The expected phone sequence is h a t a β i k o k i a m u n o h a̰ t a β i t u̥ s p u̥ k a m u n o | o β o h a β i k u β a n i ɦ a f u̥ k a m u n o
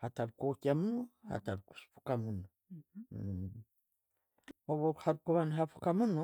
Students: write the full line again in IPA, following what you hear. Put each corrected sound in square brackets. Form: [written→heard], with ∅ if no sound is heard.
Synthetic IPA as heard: h a t a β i k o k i a m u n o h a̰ t a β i [t→k] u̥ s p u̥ k a m u n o | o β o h a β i k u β a n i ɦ a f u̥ k a m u n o